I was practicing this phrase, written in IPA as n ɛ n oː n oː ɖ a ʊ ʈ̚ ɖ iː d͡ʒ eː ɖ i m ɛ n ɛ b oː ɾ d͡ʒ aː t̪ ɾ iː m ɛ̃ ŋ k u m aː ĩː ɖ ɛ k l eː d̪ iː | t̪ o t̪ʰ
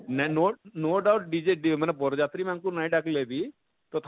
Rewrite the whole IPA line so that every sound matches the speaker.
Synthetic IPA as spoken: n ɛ n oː n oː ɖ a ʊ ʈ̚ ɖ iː d͡ʒ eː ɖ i m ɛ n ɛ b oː ɾ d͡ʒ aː t̪ ɾ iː m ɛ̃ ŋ k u n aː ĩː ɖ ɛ k l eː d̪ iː | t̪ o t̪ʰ